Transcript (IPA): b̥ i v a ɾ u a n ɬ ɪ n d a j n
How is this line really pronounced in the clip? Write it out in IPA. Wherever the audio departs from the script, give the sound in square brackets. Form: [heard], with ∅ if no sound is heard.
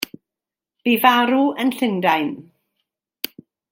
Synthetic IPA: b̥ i v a ɾ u [ə] n ɬ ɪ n d a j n